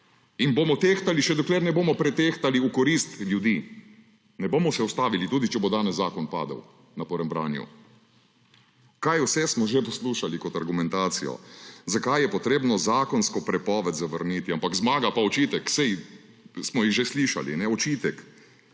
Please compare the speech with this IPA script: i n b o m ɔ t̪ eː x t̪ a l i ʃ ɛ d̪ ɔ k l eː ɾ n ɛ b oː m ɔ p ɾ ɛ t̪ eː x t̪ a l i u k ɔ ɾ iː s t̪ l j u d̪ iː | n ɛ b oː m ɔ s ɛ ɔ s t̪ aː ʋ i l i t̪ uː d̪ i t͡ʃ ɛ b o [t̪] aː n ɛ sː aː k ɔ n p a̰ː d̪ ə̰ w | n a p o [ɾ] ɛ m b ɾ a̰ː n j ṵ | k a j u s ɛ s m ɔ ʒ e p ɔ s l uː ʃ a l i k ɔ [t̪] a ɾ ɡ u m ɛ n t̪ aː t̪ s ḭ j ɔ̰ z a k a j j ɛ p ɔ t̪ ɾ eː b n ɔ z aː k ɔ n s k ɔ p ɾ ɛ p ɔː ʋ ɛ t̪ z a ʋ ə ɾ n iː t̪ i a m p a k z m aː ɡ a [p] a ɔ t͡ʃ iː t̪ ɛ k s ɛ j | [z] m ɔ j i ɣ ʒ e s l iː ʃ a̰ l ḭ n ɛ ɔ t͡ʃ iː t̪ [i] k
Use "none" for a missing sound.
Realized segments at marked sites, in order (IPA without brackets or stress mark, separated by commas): d̪, ɾ, t̪, p, s, ɛ